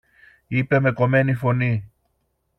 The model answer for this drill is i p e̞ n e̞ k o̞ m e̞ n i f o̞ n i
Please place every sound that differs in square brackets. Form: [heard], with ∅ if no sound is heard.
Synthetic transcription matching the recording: i p e̞ [m] e̞ k o̞ m e̞ n i f o̞ n i